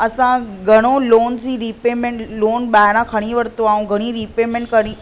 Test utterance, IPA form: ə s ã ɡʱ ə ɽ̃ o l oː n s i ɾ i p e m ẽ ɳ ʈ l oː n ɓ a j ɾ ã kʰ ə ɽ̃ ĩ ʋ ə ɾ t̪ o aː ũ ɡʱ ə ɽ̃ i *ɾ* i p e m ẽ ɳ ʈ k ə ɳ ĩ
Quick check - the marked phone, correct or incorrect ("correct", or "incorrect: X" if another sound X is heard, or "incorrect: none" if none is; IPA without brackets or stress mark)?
correct